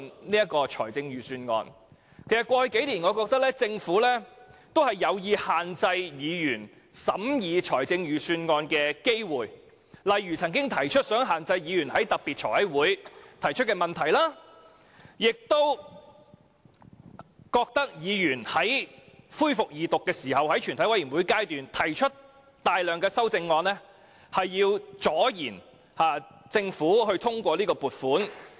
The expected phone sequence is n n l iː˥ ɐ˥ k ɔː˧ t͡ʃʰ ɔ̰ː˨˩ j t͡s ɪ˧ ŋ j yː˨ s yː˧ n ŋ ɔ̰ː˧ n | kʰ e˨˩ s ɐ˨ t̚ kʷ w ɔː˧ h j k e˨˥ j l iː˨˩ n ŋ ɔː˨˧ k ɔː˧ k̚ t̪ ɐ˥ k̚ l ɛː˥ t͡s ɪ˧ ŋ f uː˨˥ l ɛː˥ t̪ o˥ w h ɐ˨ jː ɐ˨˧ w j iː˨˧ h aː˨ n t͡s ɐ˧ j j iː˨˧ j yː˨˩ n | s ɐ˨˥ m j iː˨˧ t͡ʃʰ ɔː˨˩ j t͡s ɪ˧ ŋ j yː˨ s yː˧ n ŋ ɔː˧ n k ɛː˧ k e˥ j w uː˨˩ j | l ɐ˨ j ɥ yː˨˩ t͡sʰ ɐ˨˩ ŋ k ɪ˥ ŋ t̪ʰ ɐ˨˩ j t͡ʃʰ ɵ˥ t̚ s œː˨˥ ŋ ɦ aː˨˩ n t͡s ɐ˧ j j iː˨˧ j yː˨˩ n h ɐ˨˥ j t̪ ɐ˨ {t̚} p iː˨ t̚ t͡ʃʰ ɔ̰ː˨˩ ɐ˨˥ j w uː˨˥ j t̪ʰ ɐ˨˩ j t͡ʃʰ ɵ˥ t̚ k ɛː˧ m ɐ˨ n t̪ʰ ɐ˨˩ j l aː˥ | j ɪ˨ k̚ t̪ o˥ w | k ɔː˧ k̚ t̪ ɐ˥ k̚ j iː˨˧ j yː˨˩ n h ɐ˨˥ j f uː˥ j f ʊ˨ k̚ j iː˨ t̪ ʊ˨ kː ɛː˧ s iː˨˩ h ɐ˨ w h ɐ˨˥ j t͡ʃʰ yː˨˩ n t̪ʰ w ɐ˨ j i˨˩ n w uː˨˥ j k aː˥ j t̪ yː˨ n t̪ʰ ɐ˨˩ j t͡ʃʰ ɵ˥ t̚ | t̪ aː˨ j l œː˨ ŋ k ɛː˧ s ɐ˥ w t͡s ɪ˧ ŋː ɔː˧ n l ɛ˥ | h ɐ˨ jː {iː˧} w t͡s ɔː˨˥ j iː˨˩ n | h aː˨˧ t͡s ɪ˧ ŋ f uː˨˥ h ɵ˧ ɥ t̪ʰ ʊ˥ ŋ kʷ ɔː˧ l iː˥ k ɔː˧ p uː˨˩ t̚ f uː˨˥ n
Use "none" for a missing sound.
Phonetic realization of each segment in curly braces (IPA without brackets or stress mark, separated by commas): k̚, iː˧